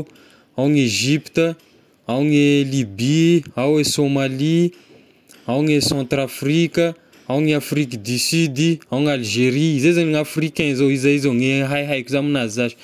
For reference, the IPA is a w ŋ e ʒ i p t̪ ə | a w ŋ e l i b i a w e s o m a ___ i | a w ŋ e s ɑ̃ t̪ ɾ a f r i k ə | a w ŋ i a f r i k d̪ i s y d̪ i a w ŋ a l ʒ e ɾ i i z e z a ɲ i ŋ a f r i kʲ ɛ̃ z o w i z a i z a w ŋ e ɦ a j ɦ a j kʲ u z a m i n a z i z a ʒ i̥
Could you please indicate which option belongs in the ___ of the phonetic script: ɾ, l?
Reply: l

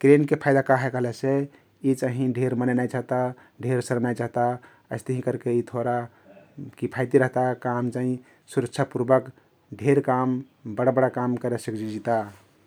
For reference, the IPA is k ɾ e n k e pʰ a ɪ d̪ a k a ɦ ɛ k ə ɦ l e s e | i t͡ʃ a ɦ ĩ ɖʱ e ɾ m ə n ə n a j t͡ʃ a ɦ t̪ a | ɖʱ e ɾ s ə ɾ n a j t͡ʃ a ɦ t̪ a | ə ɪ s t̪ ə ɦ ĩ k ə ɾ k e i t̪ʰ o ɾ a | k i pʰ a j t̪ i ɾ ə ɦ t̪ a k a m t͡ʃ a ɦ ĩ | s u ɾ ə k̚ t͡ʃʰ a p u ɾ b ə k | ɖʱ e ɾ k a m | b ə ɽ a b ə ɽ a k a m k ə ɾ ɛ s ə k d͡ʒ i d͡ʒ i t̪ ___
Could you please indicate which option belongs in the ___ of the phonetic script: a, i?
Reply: a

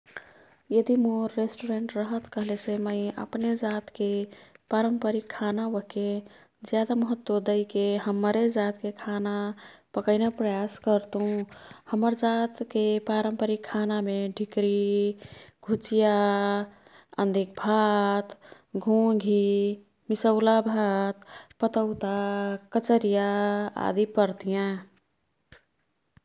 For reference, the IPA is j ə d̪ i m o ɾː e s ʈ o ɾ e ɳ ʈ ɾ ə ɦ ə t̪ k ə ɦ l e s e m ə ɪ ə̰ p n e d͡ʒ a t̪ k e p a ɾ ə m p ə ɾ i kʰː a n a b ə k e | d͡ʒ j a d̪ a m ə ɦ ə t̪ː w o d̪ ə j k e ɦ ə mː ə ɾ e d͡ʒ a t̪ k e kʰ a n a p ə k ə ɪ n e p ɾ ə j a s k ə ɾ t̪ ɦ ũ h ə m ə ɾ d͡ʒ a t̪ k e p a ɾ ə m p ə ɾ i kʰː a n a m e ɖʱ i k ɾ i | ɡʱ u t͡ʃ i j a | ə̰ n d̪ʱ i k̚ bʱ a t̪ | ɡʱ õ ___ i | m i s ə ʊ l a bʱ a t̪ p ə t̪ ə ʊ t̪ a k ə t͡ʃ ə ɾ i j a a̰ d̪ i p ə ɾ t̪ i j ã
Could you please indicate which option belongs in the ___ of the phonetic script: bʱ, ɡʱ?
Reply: ɡʱ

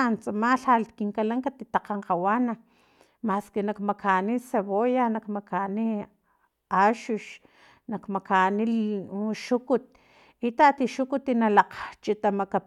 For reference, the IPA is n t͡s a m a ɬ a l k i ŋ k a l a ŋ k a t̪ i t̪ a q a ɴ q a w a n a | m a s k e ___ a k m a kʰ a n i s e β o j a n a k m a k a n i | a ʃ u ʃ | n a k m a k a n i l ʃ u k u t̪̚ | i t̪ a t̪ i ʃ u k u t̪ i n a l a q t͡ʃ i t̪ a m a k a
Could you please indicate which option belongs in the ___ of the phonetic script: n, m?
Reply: n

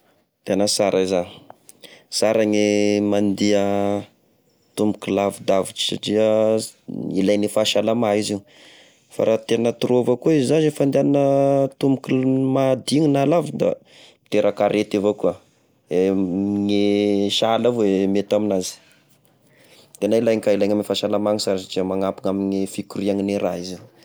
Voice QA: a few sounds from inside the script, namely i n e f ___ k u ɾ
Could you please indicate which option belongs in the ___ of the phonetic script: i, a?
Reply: i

